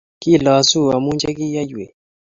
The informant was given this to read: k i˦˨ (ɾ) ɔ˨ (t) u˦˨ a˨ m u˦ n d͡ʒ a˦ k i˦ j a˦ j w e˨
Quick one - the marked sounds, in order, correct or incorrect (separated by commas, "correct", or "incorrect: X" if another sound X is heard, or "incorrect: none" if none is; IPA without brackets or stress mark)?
incorrect: l, incorrect: s